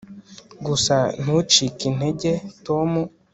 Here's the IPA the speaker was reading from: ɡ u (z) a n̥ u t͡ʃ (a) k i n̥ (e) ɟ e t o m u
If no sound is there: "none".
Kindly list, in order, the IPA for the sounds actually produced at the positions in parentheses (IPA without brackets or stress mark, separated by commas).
s, i, e